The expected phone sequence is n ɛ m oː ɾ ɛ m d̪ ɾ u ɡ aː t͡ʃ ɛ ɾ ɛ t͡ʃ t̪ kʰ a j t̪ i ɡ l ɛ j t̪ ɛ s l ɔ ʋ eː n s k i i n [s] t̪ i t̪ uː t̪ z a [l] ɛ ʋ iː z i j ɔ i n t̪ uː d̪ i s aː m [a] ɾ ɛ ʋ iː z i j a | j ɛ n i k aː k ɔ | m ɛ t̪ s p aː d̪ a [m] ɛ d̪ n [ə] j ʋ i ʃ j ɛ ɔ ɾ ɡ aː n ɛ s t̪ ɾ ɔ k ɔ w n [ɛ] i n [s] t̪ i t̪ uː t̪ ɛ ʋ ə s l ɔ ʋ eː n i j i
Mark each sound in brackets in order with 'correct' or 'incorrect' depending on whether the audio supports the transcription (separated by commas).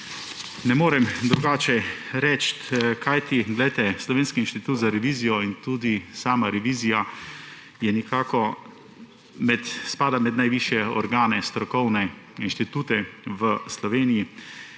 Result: incorrect, incorrect, correct, correct, incorrect, correct, incorrect